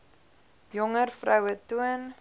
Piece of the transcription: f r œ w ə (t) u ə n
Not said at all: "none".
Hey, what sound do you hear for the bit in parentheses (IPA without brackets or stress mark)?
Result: t